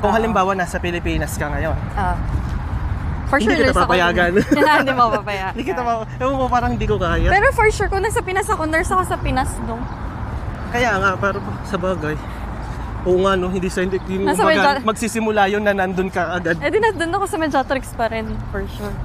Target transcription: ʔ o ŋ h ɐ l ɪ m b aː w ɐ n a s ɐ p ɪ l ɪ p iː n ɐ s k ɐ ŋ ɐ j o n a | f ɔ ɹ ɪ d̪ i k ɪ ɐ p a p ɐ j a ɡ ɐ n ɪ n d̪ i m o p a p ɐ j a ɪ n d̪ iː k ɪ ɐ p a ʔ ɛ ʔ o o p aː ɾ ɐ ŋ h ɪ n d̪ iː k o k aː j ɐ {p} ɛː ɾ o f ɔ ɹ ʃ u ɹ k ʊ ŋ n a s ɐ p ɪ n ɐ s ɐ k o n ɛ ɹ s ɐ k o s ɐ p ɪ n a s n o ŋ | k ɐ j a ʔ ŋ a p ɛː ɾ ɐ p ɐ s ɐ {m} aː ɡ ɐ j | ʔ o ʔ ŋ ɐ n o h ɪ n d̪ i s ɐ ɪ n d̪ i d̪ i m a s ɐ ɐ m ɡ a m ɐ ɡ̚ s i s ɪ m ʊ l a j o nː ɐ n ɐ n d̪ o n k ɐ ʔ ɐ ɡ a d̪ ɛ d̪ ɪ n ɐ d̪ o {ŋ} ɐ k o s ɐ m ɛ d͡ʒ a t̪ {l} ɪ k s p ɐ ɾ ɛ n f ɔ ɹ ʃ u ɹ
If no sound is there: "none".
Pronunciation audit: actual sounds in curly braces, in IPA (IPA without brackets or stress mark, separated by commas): p, b, n, ɾ